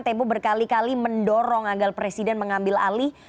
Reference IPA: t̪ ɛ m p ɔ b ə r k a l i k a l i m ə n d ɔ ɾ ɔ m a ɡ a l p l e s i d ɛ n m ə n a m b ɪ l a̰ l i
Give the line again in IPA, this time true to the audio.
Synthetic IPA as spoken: t̪ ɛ m p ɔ b ə r k a l i k a l i m ə n d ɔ ɾ ɔ ŋ a ɡ a l p ɾ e s i d ɛ n m ə ŋ a m b ɪ l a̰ l i